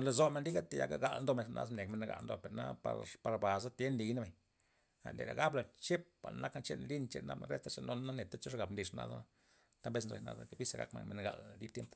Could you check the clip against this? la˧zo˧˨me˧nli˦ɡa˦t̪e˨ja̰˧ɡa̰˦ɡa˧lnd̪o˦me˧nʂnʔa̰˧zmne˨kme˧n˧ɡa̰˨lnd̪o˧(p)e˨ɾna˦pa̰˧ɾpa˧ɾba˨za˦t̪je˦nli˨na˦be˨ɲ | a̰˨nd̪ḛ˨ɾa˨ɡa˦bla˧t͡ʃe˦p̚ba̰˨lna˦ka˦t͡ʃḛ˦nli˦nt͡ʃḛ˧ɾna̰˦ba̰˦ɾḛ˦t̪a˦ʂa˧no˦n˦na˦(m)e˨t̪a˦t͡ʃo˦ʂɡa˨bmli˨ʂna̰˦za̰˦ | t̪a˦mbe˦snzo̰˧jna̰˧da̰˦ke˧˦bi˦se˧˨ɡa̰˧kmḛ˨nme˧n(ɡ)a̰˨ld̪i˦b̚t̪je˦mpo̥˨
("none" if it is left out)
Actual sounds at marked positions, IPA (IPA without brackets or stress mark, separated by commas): p, n, ɡ